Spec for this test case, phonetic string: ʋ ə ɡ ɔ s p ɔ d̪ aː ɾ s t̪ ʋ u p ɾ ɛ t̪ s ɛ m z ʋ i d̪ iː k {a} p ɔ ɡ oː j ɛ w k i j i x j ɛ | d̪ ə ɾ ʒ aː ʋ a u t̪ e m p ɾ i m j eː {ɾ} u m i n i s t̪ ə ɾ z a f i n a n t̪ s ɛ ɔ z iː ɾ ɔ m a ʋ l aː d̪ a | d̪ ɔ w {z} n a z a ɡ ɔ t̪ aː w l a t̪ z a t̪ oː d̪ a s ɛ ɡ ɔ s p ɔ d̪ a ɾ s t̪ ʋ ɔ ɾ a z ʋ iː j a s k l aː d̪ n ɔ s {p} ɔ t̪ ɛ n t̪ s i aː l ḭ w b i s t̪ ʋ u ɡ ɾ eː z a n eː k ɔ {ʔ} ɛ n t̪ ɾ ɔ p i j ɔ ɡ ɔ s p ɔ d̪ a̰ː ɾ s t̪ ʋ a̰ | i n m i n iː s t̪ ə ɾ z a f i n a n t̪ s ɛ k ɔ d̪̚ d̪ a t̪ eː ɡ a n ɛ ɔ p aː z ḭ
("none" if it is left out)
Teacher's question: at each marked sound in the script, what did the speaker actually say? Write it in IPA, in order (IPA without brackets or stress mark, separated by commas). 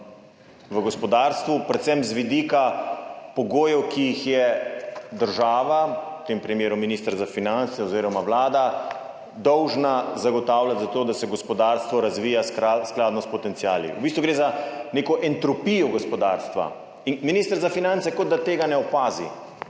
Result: a, ɾ, ʒ, p, ʔ